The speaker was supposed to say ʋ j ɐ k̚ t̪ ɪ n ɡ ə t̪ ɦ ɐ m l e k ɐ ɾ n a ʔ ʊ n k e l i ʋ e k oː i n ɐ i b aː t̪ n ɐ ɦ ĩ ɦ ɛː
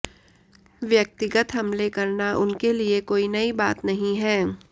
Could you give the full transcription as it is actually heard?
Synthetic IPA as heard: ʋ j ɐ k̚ t̪ ɪ ɡ ə t̪ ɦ ɐ m l e k ɐ ɾ n a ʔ ʊ n k e l i e k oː i n ɐ i b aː t̪ n ɐ ɦ ĩ ɦ ɛː